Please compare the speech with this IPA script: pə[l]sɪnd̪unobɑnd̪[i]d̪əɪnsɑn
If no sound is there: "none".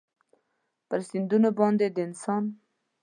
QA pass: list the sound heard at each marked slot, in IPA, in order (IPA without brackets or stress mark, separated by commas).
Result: ɾ, e